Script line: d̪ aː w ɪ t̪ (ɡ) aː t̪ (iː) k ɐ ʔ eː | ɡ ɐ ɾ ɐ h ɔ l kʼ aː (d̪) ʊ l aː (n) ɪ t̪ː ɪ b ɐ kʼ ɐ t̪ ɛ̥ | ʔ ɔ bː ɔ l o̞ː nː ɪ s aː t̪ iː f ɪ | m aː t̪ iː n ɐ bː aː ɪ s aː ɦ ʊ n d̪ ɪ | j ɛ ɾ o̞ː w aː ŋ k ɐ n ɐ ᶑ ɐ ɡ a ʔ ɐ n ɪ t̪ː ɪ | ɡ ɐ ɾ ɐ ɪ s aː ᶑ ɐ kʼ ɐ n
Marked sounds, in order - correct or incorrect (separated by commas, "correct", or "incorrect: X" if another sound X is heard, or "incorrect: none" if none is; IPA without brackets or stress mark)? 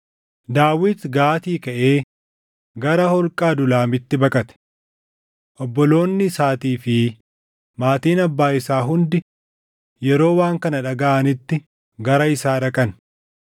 correct, correct, correct, incorrect: m